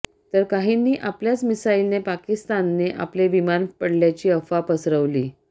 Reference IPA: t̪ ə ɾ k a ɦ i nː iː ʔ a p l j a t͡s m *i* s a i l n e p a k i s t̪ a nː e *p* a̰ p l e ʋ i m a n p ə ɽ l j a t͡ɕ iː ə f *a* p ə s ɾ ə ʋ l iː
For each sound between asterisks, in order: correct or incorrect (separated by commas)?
correct, incorrect, correct